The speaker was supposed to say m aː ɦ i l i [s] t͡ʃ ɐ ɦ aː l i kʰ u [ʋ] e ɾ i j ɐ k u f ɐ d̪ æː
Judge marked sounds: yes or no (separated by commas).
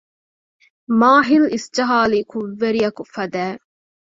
yes, no